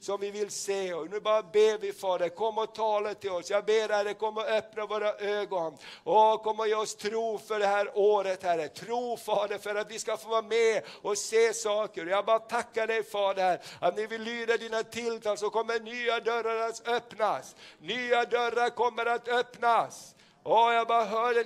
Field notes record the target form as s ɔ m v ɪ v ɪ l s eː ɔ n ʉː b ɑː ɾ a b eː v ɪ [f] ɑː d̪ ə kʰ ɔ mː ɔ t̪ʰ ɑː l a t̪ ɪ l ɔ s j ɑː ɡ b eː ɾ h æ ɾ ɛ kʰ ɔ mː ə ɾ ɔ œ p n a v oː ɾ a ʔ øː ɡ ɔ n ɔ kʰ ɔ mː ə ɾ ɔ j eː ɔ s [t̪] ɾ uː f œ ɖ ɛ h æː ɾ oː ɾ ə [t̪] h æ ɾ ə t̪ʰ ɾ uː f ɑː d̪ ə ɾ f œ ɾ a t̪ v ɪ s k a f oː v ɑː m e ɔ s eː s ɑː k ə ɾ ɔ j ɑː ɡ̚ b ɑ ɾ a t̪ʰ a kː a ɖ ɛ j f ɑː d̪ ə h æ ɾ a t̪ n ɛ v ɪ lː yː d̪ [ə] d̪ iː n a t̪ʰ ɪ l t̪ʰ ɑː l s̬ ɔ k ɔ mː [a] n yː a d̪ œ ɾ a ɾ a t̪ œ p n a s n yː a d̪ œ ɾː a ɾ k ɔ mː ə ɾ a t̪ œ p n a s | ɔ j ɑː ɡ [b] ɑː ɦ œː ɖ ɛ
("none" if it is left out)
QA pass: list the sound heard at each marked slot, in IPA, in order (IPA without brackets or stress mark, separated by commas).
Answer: f, t̪ʰ, t̪, a, ə, b